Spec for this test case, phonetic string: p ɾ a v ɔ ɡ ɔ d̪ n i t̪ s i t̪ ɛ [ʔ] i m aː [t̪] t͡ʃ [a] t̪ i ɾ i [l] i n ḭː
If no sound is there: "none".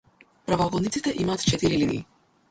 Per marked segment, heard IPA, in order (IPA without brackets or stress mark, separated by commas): ʔ, t̪, ɛ, l